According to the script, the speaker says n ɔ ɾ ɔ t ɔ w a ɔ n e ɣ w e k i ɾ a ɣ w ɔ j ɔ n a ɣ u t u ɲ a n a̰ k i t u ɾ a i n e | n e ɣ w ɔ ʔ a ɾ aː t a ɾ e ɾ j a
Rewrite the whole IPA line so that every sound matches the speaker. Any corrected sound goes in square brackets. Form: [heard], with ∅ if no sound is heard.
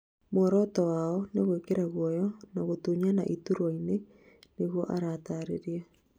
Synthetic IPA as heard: [m] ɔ ɾ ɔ t ɔ w a ɔ n e ɣ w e k [e] ɾ a ɣ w ɔ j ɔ n a ɣ [o] t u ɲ a n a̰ [ʔ] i t u ɾ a i n e | n e ɣ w ɔ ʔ a ɾ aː t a ɾ e ɾ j a